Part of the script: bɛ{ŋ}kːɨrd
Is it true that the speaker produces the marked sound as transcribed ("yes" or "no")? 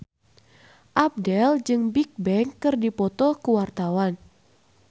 yes